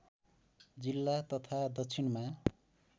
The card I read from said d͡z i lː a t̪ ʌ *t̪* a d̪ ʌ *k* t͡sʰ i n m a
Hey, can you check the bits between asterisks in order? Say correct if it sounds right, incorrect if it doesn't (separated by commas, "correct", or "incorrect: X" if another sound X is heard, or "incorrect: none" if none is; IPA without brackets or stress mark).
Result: incorrect: t̪ʰ, correct